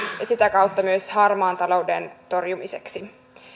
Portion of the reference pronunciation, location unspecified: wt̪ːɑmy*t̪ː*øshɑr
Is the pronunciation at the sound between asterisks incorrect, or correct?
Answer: incorrect